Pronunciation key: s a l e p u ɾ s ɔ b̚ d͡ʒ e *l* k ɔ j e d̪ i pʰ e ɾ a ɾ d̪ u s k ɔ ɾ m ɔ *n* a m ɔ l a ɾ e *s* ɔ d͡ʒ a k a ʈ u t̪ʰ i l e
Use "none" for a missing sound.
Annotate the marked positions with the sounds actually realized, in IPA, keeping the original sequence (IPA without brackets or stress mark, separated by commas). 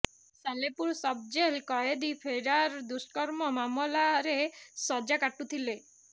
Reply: l, m, s